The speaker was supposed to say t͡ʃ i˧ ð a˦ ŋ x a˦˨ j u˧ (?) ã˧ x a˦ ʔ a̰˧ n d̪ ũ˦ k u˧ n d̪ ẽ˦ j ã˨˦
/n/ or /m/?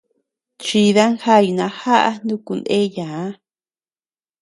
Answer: n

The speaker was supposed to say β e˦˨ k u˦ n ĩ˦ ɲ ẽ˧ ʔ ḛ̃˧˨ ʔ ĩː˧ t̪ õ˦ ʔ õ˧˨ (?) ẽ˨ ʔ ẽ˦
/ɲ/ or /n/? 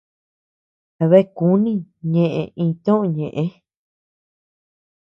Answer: ɲ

